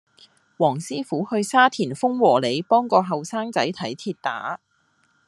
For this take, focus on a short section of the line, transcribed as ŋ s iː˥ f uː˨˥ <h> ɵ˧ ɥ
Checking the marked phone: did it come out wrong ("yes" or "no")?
no